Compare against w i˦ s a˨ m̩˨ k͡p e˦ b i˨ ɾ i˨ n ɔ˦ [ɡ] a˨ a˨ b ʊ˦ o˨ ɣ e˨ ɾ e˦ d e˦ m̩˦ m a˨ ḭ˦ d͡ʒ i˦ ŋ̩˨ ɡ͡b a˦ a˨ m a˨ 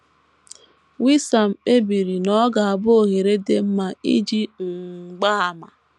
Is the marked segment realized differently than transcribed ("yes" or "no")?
no